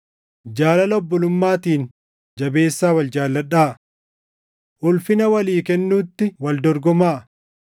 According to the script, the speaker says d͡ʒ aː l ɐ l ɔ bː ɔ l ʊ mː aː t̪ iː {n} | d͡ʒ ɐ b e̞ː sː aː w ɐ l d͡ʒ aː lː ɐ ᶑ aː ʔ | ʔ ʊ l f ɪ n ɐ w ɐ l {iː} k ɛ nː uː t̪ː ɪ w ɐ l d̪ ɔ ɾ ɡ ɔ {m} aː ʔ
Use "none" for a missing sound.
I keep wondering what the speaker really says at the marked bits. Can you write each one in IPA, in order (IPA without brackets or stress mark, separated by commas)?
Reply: n, iː, m